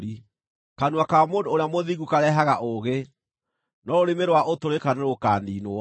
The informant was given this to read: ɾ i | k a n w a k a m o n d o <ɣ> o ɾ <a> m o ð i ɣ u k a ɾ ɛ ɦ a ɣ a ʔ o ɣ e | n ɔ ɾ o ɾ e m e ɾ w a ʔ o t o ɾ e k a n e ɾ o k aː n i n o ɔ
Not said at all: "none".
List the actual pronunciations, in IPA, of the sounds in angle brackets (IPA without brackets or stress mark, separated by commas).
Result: none, a